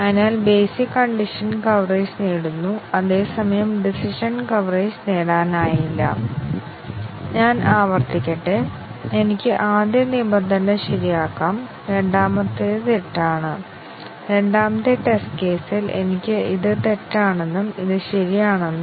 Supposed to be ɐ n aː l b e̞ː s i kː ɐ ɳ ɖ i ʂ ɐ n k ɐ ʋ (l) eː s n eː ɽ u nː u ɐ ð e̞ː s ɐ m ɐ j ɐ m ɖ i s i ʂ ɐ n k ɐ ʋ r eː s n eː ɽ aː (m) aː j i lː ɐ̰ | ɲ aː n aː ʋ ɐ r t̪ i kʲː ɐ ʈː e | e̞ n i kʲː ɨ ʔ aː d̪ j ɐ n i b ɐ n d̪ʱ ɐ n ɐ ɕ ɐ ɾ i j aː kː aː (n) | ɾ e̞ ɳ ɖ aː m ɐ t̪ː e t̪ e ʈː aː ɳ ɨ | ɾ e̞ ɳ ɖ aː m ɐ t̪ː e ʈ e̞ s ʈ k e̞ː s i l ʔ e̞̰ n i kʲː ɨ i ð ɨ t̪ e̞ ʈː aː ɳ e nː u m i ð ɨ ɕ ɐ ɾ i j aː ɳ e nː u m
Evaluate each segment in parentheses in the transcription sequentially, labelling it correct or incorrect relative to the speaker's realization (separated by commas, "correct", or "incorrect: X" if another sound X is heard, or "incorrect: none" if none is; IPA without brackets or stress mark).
incorrect: r, incorrect: n, incorrect: m